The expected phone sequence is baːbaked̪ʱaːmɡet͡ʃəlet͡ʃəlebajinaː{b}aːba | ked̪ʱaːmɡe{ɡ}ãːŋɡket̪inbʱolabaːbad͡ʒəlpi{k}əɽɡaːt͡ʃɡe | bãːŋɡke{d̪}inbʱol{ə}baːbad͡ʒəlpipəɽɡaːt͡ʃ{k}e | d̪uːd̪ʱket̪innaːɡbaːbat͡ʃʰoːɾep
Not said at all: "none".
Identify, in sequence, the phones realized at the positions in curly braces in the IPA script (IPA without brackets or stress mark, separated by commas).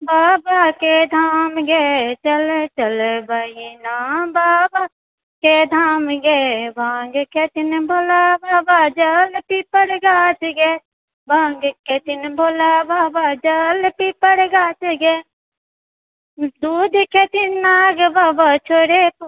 b, b, p, t̪, a, ɡ